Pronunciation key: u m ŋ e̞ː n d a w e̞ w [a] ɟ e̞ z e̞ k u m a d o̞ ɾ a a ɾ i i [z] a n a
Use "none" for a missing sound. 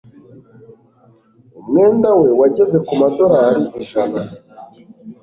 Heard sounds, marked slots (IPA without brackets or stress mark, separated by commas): a, ʒ